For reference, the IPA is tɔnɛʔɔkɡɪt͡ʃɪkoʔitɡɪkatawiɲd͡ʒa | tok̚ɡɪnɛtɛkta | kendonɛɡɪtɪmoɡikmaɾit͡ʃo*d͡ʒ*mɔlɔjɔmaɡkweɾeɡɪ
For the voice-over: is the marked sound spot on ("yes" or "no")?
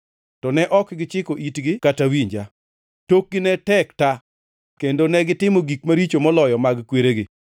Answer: no